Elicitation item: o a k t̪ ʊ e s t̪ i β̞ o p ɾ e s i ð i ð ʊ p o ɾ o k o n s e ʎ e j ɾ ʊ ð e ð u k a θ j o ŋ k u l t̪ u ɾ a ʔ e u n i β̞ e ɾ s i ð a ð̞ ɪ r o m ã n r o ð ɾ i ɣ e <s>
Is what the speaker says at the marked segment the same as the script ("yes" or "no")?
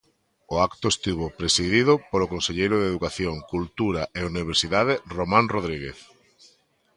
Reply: no